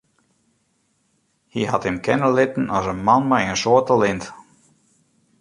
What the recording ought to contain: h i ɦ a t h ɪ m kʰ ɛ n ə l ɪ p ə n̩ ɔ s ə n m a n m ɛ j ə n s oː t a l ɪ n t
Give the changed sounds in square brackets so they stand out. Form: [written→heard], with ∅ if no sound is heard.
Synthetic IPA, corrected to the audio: h i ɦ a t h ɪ m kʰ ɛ n ə l ɪ [p→t] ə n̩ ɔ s ə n m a n m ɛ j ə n s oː t [a→ə] l ɪ n t